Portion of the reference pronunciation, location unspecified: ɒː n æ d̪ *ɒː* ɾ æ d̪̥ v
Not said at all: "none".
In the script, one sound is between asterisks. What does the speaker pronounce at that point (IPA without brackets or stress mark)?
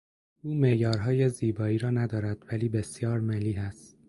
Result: ɒː